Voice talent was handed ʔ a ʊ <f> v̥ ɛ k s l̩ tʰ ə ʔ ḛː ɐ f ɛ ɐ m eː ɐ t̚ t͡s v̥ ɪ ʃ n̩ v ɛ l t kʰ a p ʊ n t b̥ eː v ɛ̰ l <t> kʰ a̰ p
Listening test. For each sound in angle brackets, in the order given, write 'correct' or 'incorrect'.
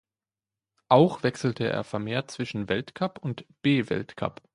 incorrect: x, correct

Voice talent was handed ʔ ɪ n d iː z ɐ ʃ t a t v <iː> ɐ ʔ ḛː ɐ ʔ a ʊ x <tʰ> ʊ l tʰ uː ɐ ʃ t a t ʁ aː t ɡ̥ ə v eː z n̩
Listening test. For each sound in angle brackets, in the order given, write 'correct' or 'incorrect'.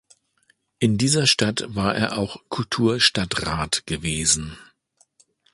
incorrect: aː, incorrect: kʰ

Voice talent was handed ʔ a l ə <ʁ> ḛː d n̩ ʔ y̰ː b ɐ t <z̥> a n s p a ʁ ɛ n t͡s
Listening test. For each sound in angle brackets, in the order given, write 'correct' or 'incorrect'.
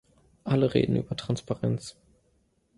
correct, incorrect: ʁ̥

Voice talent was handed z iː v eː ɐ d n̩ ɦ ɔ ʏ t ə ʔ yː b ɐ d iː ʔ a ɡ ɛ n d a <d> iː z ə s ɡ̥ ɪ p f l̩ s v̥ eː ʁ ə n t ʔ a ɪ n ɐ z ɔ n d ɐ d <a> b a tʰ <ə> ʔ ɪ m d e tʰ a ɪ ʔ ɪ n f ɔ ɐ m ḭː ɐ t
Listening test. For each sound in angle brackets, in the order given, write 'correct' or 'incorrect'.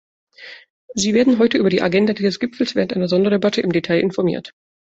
correct, incorrect: e, correct

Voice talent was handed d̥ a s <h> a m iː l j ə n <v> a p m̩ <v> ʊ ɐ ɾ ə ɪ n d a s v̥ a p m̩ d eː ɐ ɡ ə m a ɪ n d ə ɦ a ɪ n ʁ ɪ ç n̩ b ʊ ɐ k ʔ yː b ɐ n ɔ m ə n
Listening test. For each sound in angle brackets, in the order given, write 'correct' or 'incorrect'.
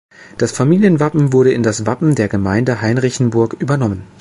incorrect: f, correct, correct

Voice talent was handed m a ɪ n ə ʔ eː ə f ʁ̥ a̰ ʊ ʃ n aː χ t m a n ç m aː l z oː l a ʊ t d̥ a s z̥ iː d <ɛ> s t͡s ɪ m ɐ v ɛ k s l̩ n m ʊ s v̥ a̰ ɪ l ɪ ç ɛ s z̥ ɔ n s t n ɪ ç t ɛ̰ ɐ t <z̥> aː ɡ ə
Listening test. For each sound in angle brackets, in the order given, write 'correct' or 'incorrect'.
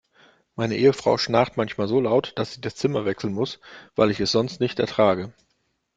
incorrect: a, incorrect: ʁ̥

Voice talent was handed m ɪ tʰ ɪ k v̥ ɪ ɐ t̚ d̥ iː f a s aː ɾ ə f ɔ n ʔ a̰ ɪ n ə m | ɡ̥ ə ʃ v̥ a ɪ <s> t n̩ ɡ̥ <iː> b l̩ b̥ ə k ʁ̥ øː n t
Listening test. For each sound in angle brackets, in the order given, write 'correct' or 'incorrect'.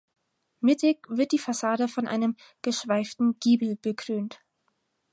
incorrect: f, correct

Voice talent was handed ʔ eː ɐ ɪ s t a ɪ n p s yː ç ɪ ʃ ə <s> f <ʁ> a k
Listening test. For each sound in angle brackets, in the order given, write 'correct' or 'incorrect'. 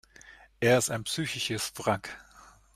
correct, correct

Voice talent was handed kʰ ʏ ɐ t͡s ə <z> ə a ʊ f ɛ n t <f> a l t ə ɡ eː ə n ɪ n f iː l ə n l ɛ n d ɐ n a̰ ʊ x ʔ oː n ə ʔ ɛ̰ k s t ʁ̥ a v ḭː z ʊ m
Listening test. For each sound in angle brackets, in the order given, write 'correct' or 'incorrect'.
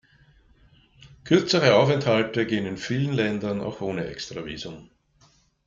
incorrect: ʁ, incorrect: h

